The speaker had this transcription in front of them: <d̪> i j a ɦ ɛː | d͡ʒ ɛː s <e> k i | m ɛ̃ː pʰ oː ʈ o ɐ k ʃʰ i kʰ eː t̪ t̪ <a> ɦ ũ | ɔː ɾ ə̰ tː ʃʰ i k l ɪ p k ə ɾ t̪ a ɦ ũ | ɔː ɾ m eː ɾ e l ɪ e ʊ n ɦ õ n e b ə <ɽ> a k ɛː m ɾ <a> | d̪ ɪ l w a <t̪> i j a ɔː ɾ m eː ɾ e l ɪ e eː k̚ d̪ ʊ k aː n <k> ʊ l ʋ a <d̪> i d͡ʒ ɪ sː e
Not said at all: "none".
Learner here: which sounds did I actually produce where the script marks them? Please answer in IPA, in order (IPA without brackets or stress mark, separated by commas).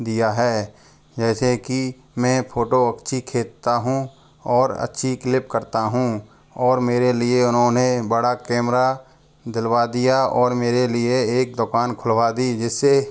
d̪, e, a, ɽ, a, d̪, kʰ, d̪